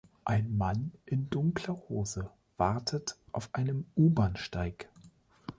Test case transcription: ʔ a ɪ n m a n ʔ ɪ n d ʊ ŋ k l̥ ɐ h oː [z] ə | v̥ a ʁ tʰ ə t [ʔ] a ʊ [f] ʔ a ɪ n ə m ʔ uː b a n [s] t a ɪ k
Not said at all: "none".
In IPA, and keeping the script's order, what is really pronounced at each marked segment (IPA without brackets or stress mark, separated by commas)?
z, ʔ, f, ʃ